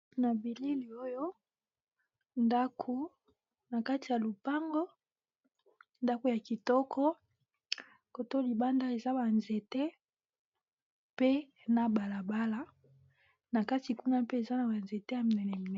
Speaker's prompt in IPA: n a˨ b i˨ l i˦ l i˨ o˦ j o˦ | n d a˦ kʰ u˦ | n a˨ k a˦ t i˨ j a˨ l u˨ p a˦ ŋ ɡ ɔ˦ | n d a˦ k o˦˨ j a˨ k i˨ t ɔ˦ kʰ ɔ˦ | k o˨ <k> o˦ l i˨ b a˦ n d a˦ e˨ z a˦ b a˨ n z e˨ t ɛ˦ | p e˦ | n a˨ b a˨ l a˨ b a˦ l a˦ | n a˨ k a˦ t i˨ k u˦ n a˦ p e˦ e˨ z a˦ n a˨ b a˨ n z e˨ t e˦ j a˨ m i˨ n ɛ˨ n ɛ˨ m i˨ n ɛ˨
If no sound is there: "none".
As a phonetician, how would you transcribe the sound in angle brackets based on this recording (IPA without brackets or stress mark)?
t